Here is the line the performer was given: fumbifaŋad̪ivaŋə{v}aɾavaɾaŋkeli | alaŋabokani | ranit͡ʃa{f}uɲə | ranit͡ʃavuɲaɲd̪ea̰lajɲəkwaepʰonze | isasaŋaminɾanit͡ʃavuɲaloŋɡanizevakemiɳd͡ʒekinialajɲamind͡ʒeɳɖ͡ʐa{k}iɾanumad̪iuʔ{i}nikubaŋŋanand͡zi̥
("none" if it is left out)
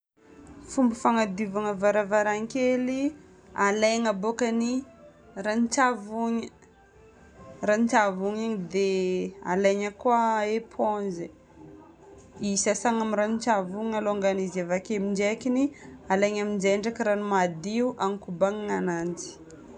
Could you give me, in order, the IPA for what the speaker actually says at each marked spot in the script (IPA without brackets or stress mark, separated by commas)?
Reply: v, v, k, a